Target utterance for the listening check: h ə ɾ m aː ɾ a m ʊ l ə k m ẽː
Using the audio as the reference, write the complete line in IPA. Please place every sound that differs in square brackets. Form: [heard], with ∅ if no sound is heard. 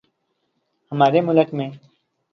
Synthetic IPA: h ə [∅] m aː ɾ [e] m ʊ l ə k m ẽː